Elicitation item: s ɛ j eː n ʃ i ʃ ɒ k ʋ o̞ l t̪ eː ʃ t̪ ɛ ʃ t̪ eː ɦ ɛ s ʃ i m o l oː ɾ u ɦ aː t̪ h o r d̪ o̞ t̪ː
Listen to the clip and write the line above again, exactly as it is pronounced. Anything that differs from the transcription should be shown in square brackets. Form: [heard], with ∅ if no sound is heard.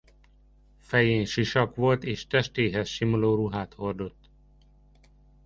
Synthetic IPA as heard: [f] ɛ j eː n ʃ i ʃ ɒ k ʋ o̞ l t̪ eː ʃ t̪ ɛ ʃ t̪ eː ɦ ɛ s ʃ i m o l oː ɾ u ɦ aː t̪ h o r d̪ o̞ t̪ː